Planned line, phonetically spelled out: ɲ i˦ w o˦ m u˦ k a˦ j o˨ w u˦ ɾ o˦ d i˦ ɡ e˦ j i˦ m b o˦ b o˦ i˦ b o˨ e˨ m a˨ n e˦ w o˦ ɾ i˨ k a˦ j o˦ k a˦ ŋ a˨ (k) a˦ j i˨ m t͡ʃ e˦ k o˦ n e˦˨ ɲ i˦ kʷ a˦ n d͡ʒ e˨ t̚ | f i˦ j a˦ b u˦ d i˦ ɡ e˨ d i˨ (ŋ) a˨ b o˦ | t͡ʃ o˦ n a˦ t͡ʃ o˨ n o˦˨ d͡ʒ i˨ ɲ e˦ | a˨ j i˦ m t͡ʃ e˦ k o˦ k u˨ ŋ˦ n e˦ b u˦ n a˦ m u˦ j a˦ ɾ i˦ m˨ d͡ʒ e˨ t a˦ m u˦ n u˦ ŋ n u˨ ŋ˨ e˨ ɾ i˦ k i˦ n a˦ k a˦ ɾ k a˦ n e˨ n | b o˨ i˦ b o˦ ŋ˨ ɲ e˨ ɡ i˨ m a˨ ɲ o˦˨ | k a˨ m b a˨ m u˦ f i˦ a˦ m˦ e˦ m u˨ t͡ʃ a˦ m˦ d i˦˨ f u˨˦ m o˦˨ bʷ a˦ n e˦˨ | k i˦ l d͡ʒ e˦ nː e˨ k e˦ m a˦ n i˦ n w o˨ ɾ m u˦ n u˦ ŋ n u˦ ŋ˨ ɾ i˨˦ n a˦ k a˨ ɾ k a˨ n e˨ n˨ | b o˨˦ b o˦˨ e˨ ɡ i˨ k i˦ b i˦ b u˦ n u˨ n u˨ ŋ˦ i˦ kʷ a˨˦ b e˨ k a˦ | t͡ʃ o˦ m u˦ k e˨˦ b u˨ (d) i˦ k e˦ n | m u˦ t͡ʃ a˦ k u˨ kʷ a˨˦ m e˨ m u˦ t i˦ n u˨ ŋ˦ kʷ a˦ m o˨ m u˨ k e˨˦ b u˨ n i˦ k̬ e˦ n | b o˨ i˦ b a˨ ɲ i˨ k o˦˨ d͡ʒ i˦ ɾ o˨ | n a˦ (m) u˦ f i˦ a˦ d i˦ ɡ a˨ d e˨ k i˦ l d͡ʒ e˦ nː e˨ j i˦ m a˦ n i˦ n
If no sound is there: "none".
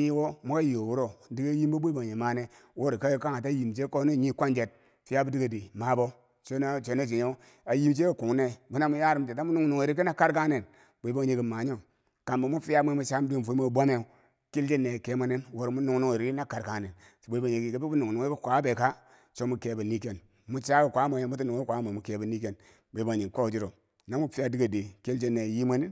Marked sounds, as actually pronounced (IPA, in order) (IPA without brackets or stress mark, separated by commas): t, m, n, m